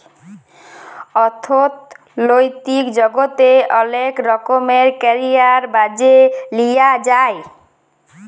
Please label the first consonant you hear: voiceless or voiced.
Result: voiceless